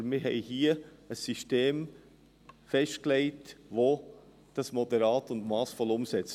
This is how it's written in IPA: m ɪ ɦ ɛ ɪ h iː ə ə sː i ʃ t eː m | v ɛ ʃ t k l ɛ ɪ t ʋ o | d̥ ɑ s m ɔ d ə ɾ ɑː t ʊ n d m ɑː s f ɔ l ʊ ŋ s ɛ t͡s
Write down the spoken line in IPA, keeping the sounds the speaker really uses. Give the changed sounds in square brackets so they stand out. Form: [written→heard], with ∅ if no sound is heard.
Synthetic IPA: m ɪ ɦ ɛ ɪ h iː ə ə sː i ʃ t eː m | [v→f] ɛ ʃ t k l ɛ ɪ t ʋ o | d̥ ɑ s m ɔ d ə ɾ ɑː t ʊ n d m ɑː s f ɔ l ʊ [ŋ→m] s ɛ t͡s